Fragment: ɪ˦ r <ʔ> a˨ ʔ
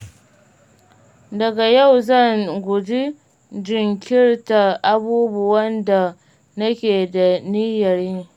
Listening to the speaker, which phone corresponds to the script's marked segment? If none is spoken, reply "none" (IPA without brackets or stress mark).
t